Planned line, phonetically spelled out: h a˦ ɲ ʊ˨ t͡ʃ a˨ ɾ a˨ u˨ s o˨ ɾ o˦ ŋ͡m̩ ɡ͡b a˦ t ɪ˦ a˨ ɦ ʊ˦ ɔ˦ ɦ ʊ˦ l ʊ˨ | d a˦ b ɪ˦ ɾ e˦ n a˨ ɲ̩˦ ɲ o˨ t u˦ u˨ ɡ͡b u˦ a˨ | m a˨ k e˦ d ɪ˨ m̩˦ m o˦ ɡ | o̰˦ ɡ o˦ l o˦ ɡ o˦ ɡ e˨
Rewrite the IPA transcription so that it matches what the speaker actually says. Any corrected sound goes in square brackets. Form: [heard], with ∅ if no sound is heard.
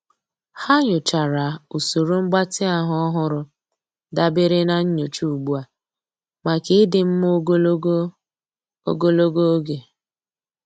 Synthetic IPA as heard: h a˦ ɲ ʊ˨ t͡ʃ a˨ ɾ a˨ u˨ s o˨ ɾ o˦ ŋ͡m̩ ɡ͡b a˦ t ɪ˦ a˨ ɦ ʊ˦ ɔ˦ ɦ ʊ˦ [ɾ] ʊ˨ | d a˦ b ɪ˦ ɾ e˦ n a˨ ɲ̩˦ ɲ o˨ [t͡ʃ] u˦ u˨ ɡ͡b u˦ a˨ | m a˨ k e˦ d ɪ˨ m̩˦ m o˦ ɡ | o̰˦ ɡ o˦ l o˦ ɡ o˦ ɡ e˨